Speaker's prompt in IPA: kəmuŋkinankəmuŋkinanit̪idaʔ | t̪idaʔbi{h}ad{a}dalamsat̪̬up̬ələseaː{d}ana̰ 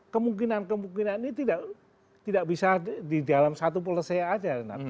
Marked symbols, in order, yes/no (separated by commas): no, no, no